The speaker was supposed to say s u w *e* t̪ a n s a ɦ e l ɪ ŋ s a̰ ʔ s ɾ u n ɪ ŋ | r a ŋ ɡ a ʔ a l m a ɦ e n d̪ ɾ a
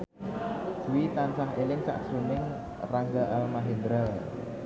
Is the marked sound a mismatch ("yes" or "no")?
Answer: yes